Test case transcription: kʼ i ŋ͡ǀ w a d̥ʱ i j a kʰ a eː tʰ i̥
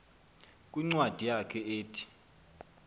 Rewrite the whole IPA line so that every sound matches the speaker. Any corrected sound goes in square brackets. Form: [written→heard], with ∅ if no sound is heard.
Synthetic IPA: kʼ i ŋ͡ǀ w a d̥ʱ i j a kʰ [a→ɛ] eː tʰ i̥